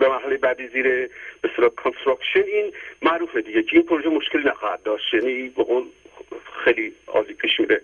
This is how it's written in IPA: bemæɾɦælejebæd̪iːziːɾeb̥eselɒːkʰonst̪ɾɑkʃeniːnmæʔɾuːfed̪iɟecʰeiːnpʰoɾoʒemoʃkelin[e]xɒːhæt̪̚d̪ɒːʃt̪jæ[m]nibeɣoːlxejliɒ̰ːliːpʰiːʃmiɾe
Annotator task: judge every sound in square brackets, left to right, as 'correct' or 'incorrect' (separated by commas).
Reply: incorrect, incorrect